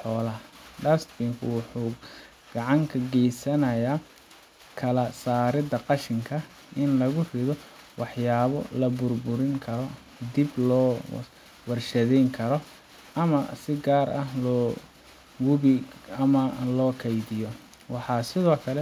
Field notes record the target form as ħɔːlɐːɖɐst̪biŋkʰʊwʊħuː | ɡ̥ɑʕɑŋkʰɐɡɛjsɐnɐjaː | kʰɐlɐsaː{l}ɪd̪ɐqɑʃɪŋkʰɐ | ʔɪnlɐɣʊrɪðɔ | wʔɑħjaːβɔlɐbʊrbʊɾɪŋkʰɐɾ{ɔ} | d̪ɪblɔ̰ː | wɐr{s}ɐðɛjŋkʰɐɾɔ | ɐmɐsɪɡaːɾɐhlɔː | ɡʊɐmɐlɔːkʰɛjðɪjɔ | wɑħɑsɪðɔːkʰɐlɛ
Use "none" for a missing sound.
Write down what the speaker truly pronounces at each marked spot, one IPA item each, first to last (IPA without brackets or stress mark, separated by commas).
ɾ, ɔ, ʃ